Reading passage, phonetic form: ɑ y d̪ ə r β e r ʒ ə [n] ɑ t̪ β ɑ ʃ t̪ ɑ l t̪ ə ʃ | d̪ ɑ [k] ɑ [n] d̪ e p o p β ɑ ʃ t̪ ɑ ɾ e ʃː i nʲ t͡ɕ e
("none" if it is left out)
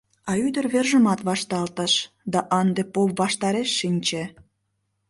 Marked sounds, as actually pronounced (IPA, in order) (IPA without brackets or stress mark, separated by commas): m, ʔ, n